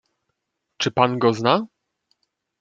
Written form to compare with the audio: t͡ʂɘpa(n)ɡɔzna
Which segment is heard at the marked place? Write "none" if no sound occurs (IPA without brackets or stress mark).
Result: n